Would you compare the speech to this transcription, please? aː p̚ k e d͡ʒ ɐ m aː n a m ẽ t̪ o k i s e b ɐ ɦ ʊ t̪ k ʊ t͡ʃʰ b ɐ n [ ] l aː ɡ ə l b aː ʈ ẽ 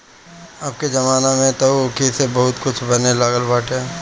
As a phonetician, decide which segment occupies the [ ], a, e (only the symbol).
e